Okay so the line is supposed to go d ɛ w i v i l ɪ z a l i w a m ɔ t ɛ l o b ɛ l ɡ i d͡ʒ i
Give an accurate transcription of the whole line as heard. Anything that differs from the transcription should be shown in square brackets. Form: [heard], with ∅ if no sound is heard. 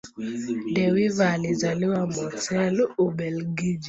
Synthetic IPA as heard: d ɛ w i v [a] l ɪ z a l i w a m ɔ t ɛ l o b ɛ l ɡ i d͡ʒ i